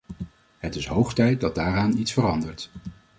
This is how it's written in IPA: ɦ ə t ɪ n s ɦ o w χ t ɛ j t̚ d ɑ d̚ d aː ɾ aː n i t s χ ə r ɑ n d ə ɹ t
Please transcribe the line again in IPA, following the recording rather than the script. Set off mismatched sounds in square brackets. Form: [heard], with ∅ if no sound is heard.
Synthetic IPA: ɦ ə t ɪ [∅] s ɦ o w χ t ɛ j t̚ d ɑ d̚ d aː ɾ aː n i t s [f] ə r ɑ n d ə ɹ t